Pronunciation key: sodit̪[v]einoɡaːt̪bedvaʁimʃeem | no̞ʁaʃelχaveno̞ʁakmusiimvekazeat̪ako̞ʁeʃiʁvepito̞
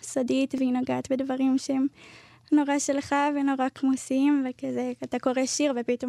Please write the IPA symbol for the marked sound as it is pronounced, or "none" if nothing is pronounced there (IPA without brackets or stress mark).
v